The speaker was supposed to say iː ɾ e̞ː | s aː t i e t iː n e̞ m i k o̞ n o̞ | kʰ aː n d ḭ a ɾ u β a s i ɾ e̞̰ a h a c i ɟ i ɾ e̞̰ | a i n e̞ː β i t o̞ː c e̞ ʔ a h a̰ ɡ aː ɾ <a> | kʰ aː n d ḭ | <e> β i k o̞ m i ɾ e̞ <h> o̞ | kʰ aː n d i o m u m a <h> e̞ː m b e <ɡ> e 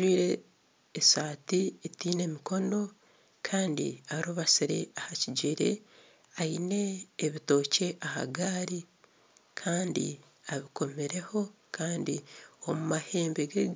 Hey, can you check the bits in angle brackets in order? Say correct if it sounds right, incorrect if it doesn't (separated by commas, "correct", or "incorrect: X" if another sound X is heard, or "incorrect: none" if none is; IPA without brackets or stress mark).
incorrect: i, incorrect: a, correct, correct, correct